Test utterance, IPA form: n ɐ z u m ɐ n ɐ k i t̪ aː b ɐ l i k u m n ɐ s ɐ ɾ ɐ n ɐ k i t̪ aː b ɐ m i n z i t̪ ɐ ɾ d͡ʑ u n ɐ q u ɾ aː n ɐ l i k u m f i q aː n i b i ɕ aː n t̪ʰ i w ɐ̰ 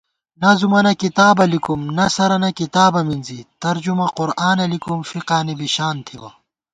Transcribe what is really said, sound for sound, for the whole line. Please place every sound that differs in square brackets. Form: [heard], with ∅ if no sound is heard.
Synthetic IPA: n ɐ z u m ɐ n ɐ k i t̪ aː b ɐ l i k u m n ɐ s ɐ ɾ ɐ n ɐ k i t̪ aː b ɐ m i n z i t̪ ɐ ɾ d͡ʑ u [m] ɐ q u ɾ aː n ɐ l i k u m f i q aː n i b i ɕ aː n t̪ʰ i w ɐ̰